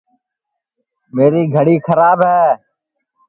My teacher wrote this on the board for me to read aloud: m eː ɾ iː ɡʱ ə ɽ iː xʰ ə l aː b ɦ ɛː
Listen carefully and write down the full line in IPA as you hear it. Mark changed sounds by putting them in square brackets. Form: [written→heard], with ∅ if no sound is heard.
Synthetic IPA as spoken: m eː ɾ iː ɡʱ ə ɽ iː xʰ ə [l→ɾ] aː b ɦ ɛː